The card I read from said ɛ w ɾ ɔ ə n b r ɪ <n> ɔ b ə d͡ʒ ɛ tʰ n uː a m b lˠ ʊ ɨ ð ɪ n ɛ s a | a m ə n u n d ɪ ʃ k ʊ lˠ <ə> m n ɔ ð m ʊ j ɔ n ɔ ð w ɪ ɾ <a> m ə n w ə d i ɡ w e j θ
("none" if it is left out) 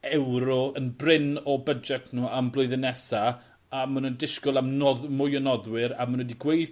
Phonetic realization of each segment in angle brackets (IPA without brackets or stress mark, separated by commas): n, a, a